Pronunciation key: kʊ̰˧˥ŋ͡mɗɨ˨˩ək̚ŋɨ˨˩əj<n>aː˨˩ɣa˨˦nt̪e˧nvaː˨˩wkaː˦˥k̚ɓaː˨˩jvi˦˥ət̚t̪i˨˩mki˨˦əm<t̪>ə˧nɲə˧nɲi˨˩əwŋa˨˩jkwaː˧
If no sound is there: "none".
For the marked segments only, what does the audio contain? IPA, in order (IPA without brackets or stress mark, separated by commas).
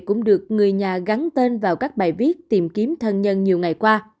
ɲ, t̪ʰ